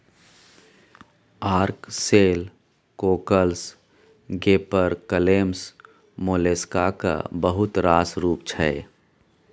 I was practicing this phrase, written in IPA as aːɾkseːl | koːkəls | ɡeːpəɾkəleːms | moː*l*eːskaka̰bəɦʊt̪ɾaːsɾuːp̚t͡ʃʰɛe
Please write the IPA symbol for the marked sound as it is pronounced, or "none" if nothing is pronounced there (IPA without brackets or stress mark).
l